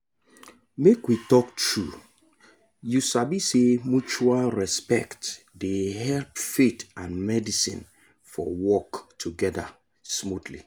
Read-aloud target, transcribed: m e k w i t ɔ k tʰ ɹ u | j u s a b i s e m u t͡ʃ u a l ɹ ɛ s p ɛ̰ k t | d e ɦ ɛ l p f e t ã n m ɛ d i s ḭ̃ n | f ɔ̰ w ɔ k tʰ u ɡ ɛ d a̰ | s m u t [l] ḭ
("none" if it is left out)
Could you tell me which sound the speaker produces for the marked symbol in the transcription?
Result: l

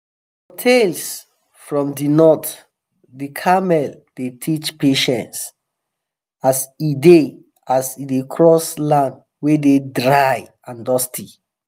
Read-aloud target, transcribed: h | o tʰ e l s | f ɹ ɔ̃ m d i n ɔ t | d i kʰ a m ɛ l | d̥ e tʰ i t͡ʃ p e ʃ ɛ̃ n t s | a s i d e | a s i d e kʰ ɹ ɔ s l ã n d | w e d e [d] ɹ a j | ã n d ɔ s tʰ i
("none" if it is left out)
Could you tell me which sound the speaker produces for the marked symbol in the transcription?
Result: d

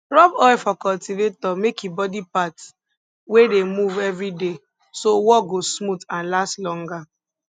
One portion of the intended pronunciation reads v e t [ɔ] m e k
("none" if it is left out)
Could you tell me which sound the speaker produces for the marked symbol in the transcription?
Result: ɔ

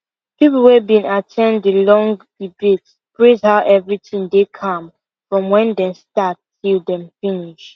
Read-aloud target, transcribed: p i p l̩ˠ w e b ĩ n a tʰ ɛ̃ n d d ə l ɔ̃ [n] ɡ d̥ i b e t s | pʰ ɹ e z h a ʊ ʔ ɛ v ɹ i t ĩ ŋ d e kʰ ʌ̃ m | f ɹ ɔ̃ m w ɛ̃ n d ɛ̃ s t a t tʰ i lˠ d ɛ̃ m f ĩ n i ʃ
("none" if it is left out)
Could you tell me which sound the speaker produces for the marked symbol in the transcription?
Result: ŋ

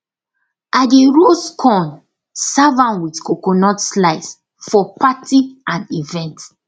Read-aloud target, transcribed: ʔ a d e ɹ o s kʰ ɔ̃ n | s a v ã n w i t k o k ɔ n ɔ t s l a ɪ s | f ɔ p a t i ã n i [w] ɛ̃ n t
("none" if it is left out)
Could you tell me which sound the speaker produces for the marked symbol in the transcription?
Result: v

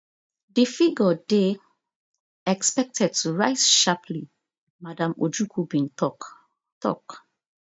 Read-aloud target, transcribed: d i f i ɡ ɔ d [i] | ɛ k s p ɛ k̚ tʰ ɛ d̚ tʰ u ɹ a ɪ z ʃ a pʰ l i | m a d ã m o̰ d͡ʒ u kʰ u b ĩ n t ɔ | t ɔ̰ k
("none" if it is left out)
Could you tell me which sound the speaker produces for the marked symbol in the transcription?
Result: e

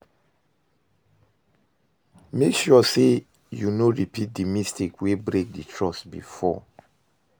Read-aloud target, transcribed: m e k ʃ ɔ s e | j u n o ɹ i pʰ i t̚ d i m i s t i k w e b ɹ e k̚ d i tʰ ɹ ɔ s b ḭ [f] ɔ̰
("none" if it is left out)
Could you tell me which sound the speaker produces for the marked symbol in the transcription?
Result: f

